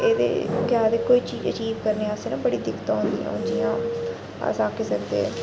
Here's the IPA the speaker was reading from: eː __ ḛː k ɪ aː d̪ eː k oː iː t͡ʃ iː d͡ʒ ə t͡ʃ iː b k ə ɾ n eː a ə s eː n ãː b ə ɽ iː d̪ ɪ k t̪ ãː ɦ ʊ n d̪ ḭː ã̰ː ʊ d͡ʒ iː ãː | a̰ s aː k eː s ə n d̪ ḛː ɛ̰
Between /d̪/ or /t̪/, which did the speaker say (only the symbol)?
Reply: d̪